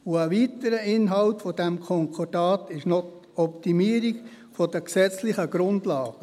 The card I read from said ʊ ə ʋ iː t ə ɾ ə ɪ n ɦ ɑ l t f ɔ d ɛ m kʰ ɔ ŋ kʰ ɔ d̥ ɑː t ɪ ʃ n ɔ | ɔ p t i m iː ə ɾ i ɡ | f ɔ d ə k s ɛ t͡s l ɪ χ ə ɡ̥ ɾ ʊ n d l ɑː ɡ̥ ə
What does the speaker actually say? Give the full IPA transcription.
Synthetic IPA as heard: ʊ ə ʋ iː t ə ɾ ə ɪ n ɦ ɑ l t f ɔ d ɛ m kʰ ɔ ŋ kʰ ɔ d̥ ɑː t ɪ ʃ n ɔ | ɔ p t i m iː ə ɾ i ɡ | f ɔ d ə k s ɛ t͡s l ɪ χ ə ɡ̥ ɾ ʊ n d l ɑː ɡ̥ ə